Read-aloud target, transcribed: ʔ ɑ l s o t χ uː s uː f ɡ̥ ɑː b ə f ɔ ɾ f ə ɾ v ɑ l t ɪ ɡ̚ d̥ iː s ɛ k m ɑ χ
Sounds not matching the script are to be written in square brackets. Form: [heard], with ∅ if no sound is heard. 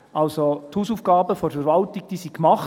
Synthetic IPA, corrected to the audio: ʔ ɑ l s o t [h] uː s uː f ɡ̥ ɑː b ə f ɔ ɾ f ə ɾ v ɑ l t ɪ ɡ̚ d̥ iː s [i] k m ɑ χ

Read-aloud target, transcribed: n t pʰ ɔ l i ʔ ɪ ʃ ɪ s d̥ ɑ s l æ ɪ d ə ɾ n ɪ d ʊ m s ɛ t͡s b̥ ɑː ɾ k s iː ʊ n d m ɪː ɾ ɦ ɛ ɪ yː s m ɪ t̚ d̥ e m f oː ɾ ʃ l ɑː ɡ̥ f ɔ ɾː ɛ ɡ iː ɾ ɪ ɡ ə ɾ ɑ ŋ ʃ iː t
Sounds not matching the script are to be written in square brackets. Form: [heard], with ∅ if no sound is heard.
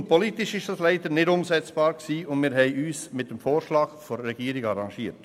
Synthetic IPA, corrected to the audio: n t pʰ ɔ l i [t] ɪ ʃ ɪ [ʃ] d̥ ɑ s l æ ɪ d ə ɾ n ɪ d ʊ m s ɛ t͡s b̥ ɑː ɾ k s iː ʊ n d m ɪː ɾ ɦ ɛ ɪ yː s m ɪ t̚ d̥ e m f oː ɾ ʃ l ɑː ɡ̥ f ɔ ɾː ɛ ɡ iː ɾ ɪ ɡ [ɑ] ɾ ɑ ŋ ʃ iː t

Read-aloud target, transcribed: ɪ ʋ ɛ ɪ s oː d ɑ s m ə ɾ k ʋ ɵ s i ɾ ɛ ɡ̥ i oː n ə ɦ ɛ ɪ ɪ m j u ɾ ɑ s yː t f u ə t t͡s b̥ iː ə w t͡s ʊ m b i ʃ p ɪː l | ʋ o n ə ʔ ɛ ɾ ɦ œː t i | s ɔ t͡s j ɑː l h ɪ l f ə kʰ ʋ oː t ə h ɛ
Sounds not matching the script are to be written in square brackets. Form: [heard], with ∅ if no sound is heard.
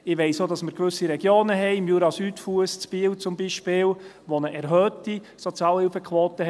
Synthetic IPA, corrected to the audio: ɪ ʋ ɛ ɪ s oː d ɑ s m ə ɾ k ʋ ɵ s i ɾ ɛ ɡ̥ [j] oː n ə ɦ ɛ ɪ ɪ m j u ɾ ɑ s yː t f u ə [s] t͡s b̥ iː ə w t͡s ʊ m b i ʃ p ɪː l | ʋ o n ə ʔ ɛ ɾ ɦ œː t i | s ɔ t͡s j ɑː l h ɪ l f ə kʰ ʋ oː t ə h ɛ

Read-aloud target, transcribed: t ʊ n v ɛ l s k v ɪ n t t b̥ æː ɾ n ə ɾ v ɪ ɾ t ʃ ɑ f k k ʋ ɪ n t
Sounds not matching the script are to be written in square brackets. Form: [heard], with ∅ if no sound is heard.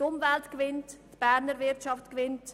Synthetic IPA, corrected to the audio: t ʊ [m] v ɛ l [t] k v ɪ n t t b̥ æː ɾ n ə ɾ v ɪ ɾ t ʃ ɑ f [t] k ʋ ɪ n t

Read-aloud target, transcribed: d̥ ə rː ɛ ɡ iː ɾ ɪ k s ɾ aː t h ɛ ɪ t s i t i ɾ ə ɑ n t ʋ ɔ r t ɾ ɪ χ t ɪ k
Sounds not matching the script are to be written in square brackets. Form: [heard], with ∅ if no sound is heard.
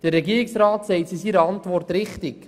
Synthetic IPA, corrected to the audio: d̥ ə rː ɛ ɡ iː ɾ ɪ k s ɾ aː t [s] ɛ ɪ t s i [s] i ɾ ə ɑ n t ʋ ɔ r t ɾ ɪ χ t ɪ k

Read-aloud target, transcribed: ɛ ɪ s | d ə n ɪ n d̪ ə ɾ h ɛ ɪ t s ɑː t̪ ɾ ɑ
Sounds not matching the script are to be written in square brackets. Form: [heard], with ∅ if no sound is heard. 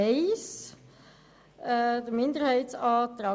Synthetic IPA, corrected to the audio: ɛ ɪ s | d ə [m] ɪ n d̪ ə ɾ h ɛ ɪ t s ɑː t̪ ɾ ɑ

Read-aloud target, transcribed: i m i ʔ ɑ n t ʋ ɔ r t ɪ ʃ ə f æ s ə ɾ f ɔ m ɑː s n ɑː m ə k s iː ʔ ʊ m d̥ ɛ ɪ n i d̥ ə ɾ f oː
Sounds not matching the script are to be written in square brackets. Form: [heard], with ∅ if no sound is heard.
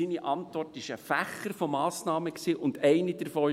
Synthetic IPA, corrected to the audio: i [n] i ʔ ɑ n t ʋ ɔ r t ɪ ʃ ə f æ [χ] ə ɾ f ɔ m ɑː s n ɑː m ə k s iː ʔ ʊ [n] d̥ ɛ ɪ n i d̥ ə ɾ f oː

